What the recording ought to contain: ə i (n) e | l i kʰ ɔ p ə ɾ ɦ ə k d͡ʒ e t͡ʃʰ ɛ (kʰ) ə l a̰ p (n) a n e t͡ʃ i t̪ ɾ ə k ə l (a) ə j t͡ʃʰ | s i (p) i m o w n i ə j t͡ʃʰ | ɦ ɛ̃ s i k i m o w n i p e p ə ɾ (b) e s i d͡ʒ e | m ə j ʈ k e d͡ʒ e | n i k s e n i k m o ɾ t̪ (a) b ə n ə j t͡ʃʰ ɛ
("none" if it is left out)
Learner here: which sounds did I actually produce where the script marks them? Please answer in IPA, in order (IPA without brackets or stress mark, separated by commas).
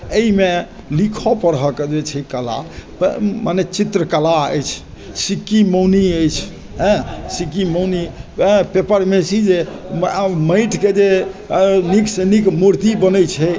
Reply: m, k, m, a, k, m, i